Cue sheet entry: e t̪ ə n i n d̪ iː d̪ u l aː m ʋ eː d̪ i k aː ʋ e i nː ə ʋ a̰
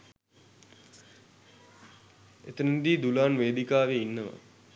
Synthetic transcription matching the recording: e t̪ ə n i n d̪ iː d̪ u l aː n ʋ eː d̪ i k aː ʋ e i nː ə ʋ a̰